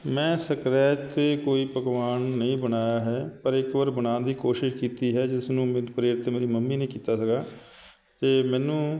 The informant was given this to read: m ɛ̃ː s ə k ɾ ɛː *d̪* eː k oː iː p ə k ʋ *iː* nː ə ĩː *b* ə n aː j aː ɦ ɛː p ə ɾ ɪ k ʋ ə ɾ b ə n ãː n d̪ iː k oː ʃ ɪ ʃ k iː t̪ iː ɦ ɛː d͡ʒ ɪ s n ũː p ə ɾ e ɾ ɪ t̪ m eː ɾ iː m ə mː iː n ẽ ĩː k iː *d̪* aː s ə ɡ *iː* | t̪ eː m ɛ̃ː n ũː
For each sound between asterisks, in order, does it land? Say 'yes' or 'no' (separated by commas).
no, no, yes, no, no